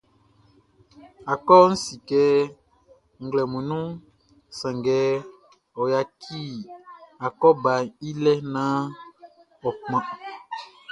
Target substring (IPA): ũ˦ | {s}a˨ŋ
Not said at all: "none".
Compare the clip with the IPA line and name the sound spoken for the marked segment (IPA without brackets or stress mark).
s